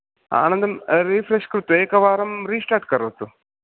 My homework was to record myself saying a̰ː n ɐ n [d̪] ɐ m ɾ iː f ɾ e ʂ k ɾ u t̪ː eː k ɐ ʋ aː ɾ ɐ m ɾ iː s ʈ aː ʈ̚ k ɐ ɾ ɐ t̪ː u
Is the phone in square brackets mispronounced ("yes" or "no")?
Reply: no